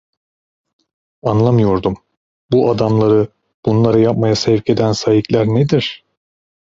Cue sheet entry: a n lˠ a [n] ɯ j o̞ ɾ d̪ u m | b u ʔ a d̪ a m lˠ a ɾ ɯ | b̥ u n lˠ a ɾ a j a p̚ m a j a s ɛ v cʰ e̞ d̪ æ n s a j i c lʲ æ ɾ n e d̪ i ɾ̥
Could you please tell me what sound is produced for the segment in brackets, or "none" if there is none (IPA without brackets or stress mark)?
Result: m